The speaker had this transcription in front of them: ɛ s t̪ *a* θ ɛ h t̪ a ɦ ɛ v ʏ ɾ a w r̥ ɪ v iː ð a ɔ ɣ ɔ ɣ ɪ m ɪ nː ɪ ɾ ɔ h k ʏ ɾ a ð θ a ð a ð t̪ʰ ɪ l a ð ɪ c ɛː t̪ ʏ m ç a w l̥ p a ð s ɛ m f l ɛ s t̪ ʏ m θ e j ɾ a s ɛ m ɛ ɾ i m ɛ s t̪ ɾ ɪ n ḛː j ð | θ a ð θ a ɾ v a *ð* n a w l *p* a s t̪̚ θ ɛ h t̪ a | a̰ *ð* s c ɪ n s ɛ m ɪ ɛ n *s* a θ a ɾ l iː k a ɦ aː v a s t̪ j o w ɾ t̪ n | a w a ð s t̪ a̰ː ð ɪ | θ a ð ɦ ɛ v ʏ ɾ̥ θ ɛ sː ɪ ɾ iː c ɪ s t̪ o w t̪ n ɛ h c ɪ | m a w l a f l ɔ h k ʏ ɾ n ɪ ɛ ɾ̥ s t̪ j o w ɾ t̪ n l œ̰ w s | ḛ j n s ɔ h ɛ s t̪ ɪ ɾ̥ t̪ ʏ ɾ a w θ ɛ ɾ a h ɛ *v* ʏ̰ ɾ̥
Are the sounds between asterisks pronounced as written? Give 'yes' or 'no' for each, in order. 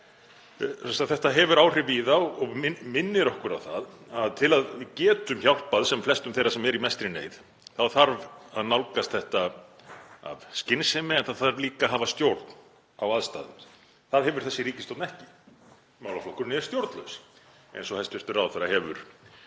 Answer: yes, yes, no, no, no, yes

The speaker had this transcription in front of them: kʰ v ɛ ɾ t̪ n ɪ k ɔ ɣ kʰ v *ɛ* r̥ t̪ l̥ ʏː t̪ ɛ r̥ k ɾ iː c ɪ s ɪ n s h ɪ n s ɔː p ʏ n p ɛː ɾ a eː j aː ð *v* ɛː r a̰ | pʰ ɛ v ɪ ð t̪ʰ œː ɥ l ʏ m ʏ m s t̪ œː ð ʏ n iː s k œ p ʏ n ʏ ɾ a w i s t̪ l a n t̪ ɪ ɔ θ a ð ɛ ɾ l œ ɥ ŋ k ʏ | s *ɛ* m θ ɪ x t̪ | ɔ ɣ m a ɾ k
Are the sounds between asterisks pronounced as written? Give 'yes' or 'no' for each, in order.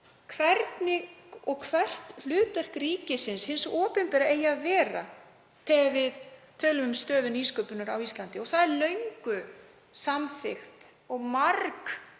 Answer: yes, yes, no

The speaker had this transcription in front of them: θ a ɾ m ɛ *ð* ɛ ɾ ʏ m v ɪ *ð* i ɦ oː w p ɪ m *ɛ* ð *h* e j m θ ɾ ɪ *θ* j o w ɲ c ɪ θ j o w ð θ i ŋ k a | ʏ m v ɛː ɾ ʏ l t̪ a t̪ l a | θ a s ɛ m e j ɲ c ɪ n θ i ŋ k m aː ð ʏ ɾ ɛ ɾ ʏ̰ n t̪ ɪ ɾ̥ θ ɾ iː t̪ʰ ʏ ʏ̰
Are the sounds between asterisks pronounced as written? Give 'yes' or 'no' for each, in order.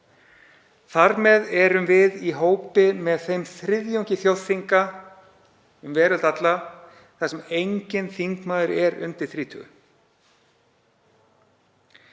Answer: yes, yes, yes, no, no

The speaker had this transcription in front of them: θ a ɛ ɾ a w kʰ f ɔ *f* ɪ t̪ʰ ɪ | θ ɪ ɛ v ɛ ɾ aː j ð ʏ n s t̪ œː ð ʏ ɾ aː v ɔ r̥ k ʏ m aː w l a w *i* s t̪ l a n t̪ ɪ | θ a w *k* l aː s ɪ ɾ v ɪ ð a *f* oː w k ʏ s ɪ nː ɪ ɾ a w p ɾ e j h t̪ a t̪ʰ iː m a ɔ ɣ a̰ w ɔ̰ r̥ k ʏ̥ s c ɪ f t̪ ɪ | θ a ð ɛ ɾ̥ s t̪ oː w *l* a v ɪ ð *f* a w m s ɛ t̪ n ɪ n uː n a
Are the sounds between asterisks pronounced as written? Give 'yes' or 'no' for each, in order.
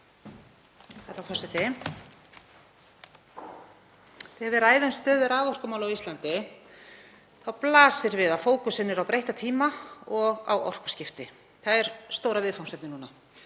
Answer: no, yes, no, yes, no, yes

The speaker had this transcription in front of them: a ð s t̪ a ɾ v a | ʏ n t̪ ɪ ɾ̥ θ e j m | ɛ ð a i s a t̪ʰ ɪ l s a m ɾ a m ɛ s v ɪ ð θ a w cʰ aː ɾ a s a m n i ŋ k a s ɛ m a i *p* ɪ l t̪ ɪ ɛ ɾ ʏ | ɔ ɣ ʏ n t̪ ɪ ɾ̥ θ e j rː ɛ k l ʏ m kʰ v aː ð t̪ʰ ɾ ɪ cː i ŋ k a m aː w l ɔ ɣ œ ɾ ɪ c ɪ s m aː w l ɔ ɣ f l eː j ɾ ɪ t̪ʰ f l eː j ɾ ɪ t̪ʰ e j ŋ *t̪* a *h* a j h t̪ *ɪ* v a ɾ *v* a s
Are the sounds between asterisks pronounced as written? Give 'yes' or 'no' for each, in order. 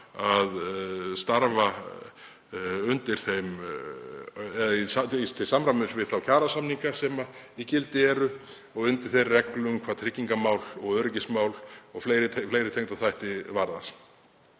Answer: no, yes, no, yes, no

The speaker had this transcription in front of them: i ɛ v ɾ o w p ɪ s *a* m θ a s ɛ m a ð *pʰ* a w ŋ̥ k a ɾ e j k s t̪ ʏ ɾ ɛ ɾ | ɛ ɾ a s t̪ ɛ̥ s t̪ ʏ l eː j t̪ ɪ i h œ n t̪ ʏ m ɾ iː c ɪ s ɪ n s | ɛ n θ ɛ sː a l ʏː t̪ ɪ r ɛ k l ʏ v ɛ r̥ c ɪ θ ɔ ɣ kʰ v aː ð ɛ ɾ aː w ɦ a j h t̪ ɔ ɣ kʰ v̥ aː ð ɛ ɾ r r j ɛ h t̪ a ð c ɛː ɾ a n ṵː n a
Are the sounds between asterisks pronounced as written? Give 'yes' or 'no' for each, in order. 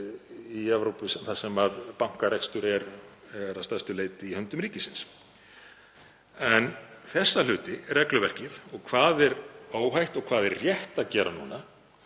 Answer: no, no

